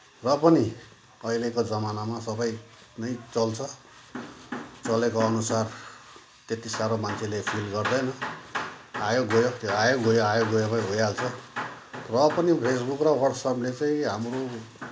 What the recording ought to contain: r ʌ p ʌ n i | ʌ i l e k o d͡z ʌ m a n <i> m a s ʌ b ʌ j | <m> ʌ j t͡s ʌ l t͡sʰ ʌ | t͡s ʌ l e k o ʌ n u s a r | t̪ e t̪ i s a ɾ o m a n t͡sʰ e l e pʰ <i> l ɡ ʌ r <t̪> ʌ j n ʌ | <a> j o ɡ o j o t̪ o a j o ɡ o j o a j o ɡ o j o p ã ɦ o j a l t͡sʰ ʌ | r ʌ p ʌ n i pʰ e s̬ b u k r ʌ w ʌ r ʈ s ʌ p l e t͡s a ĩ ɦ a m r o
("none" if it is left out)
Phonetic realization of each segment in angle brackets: a, n, i, d̪, a

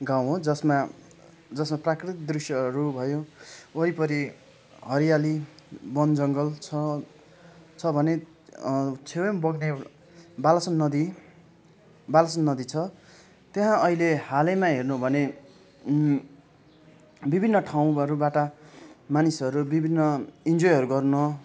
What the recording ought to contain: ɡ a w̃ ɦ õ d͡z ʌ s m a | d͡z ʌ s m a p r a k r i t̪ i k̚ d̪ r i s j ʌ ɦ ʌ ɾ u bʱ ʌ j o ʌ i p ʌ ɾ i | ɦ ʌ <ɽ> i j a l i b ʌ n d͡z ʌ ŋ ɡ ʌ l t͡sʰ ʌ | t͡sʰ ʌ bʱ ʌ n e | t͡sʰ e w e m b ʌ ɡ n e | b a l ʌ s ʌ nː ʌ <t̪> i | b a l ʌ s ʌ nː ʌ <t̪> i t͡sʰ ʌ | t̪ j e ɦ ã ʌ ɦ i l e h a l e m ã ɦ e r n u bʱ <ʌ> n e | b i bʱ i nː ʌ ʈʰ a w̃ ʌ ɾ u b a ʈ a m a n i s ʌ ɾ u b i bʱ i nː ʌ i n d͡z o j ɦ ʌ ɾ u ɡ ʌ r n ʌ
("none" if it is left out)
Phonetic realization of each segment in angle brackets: ɾ, d̪, d̪, ʌ

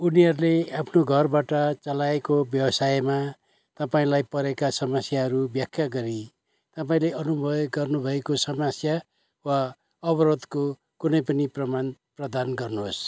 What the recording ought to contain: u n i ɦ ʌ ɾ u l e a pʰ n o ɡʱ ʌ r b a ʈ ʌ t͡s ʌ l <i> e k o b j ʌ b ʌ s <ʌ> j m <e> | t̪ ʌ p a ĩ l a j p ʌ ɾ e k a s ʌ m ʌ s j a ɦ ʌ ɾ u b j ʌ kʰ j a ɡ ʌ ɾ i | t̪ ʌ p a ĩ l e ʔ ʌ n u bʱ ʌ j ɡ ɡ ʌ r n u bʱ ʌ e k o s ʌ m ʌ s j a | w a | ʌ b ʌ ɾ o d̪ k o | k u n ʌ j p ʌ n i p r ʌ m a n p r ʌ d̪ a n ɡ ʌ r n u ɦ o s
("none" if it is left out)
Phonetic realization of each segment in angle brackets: a, a, a

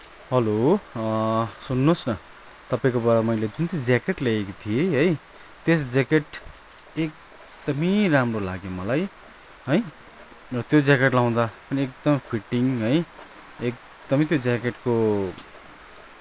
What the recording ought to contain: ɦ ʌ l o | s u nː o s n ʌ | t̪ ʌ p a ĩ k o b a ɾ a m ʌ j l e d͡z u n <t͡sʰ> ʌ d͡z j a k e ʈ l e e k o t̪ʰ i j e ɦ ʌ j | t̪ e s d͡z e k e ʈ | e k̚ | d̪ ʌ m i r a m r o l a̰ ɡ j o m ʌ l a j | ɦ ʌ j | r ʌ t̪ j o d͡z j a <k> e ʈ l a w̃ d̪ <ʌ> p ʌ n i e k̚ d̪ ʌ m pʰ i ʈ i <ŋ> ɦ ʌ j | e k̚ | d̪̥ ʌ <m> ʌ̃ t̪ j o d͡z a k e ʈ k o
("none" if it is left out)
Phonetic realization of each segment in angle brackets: t͡s, k, a, ŋ, m

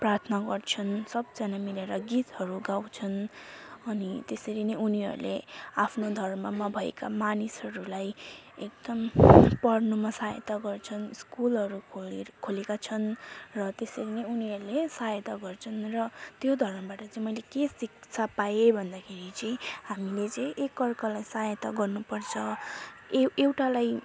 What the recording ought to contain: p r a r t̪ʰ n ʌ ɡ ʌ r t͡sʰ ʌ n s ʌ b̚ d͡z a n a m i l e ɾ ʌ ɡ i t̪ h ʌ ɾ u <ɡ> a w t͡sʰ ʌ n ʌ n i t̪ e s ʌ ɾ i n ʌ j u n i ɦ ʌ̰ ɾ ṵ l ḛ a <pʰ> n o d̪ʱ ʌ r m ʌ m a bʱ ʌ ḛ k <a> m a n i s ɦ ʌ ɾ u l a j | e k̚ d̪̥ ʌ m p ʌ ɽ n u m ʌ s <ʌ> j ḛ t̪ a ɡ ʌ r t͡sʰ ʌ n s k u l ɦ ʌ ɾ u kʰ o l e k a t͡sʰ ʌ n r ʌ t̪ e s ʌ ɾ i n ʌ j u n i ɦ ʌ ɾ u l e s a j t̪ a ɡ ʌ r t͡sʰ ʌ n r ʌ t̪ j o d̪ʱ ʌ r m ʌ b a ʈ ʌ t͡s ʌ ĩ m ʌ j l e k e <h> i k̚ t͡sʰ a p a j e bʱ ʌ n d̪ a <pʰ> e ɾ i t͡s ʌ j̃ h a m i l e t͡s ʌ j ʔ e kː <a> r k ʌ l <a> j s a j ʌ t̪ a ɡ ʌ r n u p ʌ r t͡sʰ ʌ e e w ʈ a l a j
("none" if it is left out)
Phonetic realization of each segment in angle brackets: ɡ, pʰ, a, a, s, kʰ, ʌ, a

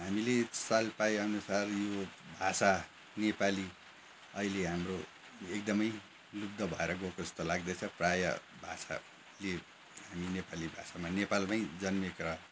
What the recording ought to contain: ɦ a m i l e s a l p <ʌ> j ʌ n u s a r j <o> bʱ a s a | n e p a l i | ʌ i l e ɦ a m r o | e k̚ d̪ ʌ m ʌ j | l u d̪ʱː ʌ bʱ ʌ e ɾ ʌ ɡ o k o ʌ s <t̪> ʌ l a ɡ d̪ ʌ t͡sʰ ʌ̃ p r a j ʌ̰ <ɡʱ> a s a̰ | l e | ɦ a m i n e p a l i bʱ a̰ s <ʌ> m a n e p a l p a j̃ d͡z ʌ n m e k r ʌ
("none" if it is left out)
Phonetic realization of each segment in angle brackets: a, o, t̪, bʱ, a

